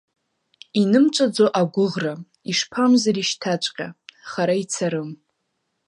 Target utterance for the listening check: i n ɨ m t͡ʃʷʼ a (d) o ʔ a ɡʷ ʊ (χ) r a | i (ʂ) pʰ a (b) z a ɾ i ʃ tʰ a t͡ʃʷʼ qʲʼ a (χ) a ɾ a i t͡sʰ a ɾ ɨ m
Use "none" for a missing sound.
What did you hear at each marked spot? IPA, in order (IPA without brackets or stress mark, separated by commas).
d͡z, ʁ, ʂ, m, χ